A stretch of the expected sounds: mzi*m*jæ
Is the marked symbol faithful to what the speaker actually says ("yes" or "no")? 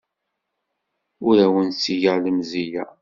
no